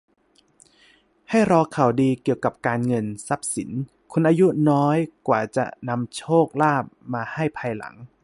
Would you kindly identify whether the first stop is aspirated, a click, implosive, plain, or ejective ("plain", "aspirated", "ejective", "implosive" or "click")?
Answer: aspirated